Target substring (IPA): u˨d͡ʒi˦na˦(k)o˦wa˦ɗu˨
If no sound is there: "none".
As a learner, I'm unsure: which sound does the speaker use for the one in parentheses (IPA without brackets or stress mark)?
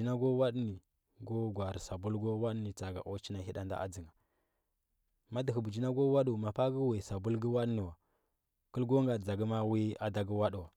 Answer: ɡ